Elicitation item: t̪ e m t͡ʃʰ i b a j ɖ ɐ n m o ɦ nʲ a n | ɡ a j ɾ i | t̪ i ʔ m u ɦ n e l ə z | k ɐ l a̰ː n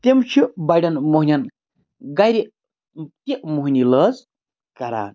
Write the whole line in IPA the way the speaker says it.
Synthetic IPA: t̪ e m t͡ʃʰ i b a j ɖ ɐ n m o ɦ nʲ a n | ɡ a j ɾ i | t̪ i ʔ m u ɦ n i l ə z | k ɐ ɾ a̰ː n